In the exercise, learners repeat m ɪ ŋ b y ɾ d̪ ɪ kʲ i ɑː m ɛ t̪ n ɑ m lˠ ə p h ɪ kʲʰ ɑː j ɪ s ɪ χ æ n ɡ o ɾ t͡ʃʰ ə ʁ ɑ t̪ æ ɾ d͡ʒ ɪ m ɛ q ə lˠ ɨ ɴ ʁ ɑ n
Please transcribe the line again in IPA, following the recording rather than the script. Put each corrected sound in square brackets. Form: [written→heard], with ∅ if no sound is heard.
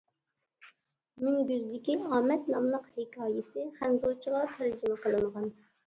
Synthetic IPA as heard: m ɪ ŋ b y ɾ d̪ ɪ kʲ i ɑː m ɛ t̪ n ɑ m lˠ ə [p→q] h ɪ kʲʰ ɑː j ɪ s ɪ χ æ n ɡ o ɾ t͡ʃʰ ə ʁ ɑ [t̪→t̪ʰ] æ ɾ d͡ʒ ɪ m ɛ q ə lˠ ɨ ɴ ʁ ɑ n